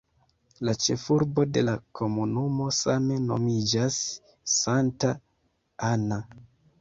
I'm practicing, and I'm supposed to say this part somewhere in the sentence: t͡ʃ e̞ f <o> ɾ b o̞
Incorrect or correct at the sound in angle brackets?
incorrect: u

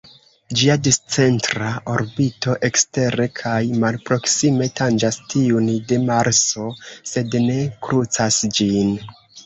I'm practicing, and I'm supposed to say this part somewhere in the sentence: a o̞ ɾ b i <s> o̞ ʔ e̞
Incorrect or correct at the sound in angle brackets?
incorrect: t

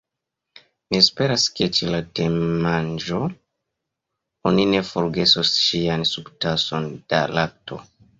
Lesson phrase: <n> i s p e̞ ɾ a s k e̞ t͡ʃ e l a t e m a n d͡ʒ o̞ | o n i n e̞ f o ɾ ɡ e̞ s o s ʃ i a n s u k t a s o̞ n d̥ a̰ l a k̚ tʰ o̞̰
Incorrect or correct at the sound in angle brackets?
incorrect: m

